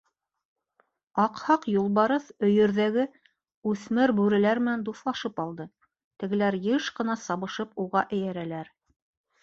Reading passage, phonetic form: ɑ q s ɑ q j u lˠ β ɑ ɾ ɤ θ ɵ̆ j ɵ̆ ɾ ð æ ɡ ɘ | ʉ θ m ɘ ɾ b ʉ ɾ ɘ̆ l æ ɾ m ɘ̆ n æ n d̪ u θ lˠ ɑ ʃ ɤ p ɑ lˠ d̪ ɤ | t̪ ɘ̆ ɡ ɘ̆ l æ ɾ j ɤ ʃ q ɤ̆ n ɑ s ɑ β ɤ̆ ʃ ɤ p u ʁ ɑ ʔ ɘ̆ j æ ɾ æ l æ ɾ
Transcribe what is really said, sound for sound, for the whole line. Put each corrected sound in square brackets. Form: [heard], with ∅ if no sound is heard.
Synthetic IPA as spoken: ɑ q [h] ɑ q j u lˠ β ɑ ɾ ɤ θ ɵ̆ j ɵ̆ ɾ ð æ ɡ ɘ | ʉ θ m ɘ ɾ b ʉ ɾ ɘ̆ l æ ɾ m ɘ̆ n æ n d̪ u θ lˠ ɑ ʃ ɤ p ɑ lˠ d̪ ɤ | t̪ ɘ̆ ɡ ɘ̆ l æ ɾ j ɤ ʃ q ɤ̆ n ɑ s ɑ β ɤ̆ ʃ ɤ p u ʁ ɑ ʔ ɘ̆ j æ ɾ æ l æ ɾ